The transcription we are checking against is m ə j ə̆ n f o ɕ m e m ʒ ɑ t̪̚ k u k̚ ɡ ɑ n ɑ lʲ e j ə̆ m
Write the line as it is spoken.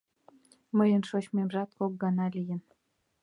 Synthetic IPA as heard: m ə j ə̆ n ʃ o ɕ m e m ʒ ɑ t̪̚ k o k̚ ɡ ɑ n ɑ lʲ i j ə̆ n